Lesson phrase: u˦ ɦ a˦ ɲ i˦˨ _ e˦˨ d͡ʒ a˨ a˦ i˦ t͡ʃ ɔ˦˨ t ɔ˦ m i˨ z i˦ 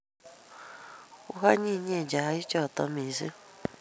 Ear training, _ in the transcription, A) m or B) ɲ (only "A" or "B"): B